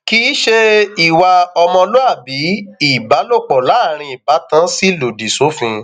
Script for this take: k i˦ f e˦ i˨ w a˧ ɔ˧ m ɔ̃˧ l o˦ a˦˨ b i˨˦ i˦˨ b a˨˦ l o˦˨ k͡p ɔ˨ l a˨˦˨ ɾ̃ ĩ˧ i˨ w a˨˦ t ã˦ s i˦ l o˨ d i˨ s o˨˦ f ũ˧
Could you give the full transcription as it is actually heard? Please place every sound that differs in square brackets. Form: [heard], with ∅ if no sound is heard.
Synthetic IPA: k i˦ [ʃ] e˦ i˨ w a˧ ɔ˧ m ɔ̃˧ l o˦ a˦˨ b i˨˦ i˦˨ b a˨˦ l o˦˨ k͡p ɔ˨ l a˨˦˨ ɾ̃ ĩ˧ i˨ [b] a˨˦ t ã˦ s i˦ l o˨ d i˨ s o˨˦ f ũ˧